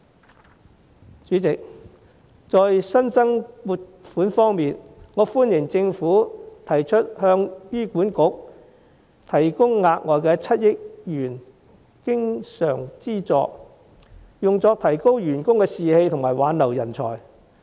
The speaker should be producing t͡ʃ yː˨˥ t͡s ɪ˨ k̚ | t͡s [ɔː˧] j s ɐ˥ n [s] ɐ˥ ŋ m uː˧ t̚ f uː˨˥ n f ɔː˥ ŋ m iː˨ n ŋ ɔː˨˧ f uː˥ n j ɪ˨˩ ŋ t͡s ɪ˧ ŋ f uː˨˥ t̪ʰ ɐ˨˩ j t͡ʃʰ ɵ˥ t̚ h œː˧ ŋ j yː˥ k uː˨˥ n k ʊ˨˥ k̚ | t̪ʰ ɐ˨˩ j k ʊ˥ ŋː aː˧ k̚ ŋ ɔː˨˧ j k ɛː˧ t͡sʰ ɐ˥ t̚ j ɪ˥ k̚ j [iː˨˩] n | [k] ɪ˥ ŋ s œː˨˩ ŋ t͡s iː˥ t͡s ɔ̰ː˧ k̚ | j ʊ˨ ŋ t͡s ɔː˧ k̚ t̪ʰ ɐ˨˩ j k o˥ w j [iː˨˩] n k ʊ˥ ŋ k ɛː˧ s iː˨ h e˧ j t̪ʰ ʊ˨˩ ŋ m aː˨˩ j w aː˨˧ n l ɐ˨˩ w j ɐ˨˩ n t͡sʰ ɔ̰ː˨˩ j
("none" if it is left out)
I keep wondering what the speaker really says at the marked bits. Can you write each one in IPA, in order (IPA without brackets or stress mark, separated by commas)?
ɔː˧, t͡s, yː˨˩, k, yː˨˩